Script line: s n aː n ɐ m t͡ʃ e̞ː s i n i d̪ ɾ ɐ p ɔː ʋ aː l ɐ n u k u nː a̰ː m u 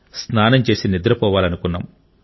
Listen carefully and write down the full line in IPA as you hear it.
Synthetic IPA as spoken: s n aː n ɐ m t͡ʃ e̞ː s i n i d̪ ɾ ɐ p ɔː ʋ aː l ɐ n u k u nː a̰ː m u